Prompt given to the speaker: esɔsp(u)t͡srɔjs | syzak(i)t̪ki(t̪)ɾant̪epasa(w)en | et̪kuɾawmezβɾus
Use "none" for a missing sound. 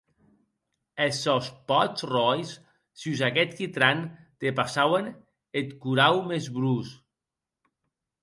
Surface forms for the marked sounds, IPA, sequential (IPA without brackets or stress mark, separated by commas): ɔ, ɛ, t̪, w